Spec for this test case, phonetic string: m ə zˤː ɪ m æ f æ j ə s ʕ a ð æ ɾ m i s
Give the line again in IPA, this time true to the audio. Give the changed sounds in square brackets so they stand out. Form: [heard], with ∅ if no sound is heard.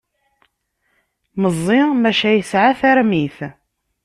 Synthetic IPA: m ə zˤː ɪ m æ [ʃ] æ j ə s ʕ a [θ] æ ɾ m i [θ]